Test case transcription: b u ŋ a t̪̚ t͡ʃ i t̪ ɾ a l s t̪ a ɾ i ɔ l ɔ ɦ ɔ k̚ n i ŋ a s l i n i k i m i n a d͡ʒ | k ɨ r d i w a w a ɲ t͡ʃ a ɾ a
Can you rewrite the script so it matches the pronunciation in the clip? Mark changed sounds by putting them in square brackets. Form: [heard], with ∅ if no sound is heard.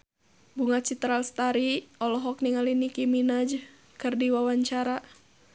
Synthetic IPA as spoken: b u ŋ a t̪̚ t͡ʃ i t̪ ɾ a l s t̪ a ɾ i ɔ l ɔ ɦ ɔ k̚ n i ŋ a [∅] l i n i k i m i n a d͡ʒ | k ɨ r d i w a w a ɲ t͡ʃ a ɾ a